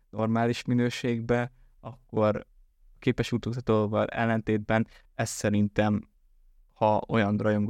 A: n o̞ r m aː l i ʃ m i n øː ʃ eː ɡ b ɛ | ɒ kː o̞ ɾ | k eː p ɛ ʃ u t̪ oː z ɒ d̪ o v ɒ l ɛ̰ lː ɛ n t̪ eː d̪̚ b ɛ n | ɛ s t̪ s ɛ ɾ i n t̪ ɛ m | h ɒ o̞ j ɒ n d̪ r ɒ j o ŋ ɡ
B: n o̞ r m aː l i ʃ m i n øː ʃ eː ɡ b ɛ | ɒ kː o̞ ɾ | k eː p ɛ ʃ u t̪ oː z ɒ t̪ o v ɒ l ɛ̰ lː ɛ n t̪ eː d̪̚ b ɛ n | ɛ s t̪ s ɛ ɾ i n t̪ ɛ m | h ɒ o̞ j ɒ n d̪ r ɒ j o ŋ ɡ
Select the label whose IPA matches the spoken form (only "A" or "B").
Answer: B